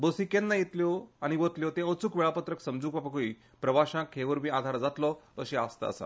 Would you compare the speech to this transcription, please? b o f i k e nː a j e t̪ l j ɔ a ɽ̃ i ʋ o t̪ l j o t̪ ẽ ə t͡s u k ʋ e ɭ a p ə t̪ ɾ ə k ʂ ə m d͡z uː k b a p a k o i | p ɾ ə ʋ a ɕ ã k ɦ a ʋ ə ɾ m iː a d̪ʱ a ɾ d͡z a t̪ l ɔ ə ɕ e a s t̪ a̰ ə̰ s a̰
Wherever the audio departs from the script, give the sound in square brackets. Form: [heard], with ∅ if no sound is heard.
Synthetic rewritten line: b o [s] i k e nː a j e t̪ l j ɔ a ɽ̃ i ʋ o t̪ l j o t̪ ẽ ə t͡s u k ʋ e ɭ a p ə t̪ ɾ ə k [s] ə m d͡z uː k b a p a k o i | p ɾ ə ʋ a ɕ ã k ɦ [e] ʋ ə ɾ m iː a d̪ʱ a ɾ d͡z a t̪ l ɔ ə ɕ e a s t̪ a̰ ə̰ s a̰